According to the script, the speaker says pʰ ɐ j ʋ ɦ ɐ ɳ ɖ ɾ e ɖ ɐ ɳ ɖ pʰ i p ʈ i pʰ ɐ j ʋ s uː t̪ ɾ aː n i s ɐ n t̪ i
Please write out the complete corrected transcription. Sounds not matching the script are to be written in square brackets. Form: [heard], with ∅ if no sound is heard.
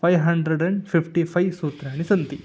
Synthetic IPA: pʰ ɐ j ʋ ɦ ɐ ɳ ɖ ɾ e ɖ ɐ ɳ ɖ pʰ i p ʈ i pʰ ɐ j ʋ s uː t̪ ɾ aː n i s ɐ n t̪ i